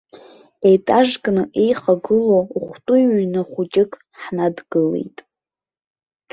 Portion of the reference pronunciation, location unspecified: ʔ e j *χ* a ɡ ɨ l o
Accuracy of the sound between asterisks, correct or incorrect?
correct